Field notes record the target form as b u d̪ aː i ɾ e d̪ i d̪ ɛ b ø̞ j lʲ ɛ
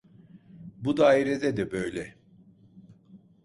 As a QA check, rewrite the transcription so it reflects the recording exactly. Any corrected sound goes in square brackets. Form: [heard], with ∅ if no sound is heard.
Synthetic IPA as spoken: b u d̪ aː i ɾ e d̪ [ɛ] d̪ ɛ b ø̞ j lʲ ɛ